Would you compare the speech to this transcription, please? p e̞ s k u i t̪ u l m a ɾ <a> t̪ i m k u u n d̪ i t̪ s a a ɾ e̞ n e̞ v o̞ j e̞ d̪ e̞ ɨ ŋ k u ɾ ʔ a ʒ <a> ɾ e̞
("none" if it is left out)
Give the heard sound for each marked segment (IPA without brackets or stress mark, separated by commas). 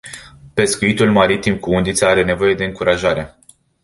i, a